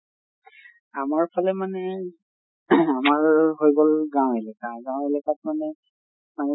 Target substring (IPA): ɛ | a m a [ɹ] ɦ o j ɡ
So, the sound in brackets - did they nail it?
yes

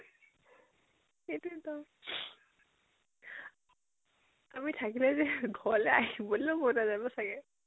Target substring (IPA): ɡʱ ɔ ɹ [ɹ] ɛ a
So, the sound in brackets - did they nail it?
no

